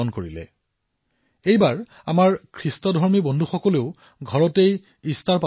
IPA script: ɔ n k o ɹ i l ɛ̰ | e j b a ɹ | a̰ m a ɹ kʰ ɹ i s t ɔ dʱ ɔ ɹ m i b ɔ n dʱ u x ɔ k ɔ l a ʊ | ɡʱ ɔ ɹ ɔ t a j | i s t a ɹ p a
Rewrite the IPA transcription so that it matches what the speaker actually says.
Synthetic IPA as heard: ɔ n k o ɹ i l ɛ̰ | e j b a ɹ | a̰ m a ɹ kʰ ɹ i s t ɔ dʱ ɔ ɹ m i b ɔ n dʱ u x ɔ k ɔ l e ʊ | ɡʱ ɔ ɹ ɔ t e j | i s t a ɹ p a